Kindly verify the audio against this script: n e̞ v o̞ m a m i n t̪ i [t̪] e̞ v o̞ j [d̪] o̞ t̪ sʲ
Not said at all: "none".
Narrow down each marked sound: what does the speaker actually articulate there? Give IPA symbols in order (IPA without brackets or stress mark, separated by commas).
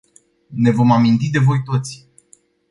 d̪, t̪